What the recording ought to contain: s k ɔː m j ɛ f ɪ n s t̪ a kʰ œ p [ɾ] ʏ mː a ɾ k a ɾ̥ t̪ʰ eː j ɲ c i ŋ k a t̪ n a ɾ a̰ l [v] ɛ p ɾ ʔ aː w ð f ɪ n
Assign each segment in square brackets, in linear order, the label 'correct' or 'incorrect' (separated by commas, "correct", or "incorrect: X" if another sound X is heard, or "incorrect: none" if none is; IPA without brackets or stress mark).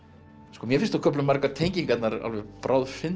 incorrect: l, correct